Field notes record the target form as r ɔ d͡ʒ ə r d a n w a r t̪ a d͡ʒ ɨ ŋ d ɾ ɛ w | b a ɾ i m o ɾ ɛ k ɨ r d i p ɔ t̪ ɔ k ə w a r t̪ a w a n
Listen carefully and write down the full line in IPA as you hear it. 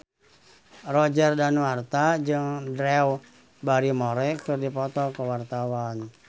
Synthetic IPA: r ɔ d͡ʒ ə r d a n w a r t̪ a d͡ʒ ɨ ŋ d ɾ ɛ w | b a ɾ i m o ɾ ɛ k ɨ r d i p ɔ t̪ ɔ k ə w a r t̪ a w a n